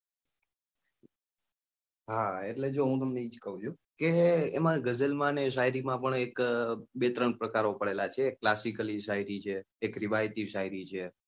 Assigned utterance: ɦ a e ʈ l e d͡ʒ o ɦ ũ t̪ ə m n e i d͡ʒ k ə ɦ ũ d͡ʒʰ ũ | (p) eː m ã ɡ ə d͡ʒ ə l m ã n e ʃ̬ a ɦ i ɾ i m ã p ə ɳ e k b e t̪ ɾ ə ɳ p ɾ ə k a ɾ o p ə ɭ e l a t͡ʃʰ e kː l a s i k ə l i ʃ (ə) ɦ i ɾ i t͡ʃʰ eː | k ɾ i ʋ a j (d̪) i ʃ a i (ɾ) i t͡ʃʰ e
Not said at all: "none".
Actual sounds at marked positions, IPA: k, a, t̪, ɾ

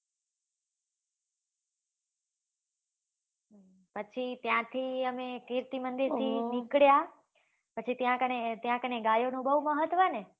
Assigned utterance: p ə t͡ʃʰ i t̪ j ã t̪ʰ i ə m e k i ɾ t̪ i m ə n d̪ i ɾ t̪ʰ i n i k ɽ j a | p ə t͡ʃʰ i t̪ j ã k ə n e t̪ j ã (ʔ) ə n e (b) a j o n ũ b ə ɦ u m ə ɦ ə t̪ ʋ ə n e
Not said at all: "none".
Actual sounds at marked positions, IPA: k, ɡ

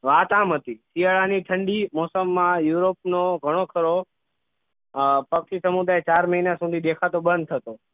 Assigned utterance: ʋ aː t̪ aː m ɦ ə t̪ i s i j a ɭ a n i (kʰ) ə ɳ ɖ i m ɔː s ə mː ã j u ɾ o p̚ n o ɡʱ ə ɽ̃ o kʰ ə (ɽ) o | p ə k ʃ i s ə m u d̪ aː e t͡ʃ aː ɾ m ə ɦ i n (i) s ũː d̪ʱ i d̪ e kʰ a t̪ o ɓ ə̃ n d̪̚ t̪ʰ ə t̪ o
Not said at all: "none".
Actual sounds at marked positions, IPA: ʈʰ, ɾ, a

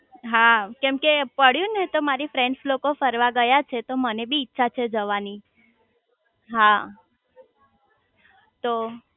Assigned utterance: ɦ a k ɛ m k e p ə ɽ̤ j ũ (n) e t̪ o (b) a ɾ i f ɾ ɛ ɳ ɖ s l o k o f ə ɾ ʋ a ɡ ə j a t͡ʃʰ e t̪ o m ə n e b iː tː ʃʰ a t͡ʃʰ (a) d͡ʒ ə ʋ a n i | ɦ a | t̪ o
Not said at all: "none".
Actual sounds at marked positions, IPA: n, m, e

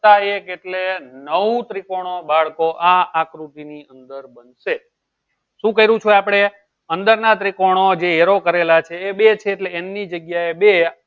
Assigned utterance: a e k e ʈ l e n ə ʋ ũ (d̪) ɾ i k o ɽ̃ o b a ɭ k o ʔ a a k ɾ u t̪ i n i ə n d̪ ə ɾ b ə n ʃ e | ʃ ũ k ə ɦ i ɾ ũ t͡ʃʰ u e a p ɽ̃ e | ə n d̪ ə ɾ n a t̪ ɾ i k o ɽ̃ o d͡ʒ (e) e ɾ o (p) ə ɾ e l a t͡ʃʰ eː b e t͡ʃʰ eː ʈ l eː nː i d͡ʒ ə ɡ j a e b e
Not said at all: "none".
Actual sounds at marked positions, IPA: t̪, e, k

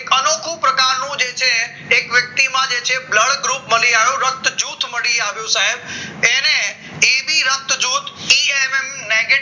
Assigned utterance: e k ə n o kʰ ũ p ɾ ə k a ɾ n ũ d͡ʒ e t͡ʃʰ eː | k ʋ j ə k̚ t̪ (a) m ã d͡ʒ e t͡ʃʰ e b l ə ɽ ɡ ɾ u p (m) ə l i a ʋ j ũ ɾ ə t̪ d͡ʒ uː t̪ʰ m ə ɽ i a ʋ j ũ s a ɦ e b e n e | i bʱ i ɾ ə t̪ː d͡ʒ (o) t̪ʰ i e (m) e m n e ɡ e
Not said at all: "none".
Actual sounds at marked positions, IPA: i, m, u, m

